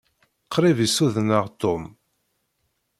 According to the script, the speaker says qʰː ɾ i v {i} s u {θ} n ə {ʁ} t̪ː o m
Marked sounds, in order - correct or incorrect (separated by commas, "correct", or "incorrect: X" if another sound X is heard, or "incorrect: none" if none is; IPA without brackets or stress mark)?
correct, incorrect: ð, correct